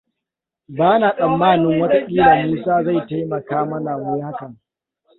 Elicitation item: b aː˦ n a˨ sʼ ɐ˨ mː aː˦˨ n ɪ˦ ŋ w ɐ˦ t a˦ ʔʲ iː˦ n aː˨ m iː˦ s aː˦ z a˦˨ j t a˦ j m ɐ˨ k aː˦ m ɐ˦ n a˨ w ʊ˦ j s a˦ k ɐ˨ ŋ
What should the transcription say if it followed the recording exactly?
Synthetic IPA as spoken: b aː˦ n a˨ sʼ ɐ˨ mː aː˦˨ n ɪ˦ ŋ w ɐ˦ t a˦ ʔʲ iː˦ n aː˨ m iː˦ s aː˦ z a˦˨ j t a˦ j m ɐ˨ k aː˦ m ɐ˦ n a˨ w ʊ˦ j h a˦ k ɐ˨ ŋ